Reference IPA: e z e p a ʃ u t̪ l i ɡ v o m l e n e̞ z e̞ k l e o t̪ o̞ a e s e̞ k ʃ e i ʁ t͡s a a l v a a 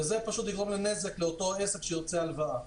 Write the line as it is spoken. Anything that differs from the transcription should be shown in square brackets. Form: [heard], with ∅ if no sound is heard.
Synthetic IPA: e z e p a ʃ u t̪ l i ɡ [ʁ] o m l e n e̞ z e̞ k l e o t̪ o̞ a e s e̞ k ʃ e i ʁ t͡s [e] a l v a a